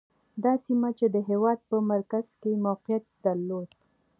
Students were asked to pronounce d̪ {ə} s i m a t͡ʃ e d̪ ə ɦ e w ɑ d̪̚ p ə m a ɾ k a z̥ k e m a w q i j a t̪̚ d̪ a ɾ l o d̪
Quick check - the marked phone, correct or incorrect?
incorrect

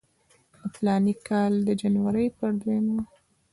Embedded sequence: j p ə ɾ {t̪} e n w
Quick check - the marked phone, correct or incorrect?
incorrect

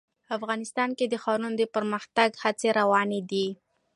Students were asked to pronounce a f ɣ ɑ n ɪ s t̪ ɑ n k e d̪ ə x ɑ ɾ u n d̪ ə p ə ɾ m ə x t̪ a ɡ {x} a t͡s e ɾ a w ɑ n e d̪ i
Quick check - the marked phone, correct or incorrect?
incorrect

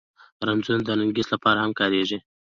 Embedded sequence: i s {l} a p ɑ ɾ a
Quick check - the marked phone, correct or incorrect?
correct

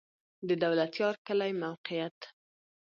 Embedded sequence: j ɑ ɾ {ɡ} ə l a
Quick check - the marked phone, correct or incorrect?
incorrect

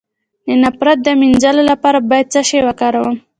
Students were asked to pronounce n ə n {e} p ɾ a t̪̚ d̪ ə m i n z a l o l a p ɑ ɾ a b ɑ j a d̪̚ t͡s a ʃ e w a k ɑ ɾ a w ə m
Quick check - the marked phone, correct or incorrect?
incorrect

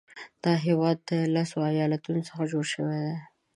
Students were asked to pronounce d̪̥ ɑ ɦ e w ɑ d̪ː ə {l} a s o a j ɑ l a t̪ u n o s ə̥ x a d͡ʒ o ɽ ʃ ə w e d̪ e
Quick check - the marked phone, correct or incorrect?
correct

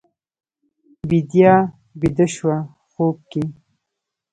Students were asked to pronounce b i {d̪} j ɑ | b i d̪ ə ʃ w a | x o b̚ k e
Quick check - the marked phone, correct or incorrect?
correct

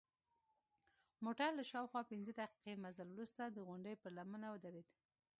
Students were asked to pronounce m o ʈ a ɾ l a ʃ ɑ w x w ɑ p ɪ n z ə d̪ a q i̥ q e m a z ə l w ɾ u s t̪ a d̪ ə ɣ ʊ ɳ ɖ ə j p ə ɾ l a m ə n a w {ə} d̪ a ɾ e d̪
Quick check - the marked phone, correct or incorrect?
correct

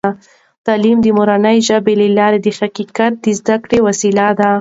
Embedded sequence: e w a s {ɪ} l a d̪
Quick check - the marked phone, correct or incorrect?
incorrect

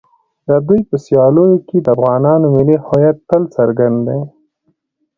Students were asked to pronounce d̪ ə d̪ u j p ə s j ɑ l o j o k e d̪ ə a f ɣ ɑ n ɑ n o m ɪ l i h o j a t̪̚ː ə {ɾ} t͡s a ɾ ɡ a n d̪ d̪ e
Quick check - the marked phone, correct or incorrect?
incorrect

